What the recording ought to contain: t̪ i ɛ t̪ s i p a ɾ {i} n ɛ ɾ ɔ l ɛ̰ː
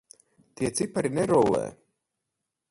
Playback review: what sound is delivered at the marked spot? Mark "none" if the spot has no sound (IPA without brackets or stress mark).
i